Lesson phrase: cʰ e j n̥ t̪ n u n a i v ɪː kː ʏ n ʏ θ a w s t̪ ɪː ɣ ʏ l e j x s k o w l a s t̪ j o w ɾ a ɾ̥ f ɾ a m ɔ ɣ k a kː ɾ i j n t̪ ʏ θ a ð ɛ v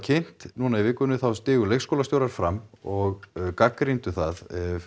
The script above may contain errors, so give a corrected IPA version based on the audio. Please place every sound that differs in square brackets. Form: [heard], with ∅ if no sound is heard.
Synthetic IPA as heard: cʰ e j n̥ t̪ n u n a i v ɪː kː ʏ n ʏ θ a w s t̪ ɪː ɣ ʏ l e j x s k o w l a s t̪ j o w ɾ a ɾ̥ f ɾ a m ɔ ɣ k a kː ɾ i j n t̪ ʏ θ a ð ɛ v